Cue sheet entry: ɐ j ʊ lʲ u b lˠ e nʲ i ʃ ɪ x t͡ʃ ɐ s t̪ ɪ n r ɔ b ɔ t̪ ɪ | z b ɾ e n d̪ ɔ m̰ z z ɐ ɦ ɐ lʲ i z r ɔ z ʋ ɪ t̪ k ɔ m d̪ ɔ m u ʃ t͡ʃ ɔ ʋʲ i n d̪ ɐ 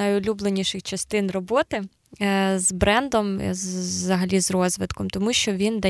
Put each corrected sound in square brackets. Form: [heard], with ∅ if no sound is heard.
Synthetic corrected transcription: ɐ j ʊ lʲ u b lˠ e nʲ i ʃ ɪ x t͡ʃ ɐ s t̪ ɪ n r ɔ b ɔ t̪ ɪ | z b ɾ [ɛ] n d̪ ɔ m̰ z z ɐ ɦ ɐ lʲ i z r ɔ z ʋ ɪ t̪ k ɔ m [t̪] ɔ m u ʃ t͡ʃ ɔ ʋʲ i n d̪ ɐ